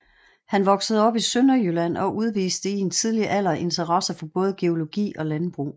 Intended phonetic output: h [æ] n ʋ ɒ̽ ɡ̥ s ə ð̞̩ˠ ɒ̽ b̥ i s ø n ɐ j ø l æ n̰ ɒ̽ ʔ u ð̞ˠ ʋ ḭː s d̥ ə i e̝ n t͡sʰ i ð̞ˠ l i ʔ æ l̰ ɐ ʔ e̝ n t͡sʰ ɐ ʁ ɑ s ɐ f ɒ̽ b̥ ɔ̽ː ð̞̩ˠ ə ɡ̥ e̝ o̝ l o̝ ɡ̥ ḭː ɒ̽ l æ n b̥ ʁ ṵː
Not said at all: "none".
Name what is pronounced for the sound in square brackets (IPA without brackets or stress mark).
æ